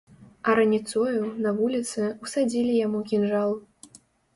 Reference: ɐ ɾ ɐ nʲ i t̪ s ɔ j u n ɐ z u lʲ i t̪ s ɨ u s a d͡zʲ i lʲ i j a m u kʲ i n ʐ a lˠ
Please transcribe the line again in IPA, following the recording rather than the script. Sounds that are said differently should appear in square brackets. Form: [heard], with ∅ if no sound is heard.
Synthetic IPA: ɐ ɾ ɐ nʲ i t̪ s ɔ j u n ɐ [v] u lʲ i t̪ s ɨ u s a d͡zʲ i lʲ i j a m u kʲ i n ʐ a lˠ